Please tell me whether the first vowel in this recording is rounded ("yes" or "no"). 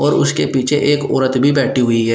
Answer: yes